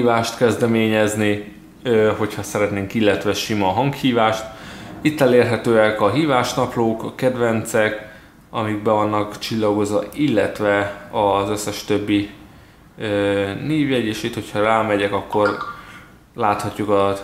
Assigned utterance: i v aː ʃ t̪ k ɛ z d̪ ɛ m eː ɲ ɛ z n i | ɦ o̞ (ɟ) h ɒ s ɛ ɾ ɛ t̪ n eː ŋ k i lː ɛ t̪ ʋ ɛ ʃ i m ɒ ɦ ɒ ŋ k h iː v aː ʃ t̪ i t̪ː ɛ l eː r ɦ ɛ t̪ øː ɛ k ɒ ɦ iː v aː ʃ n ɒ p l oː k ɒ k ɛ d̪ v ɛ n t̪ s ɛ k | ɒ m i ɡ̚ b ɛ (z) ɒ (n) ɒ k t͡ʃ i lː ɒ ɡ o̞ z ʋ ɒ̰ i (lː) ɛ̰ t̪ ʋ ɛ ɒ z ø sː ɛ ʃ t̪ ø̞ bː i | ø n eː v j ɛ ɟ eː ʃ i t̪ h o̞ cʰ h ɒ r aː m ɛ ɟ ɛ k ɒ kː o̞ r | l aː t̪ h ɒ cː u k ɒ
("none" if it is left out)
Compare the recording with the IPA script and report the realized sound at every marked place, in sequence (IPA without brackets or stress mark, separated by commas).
c, v, nː, lː